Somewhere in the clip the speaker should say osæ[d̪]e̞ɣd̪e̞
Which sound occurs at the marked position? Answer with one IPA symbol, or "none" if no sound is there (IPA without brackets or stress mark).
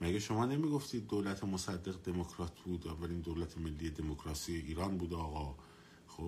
d̪ː